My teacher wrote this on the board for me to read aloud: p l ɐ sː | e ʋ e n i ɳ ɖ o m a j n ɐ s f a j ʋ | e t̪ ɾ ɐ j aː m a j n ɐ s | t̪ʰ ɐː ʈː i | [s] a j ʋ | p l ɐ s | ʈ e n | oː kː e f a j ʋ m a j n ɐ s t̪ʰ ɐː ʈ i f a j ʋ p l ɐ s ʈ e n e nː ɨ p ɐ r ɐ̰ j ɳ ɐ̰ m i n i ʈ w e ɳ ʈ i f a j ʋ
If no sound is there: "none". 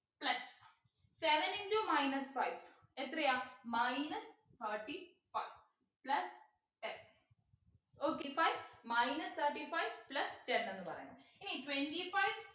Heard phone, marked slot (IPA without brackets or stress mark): f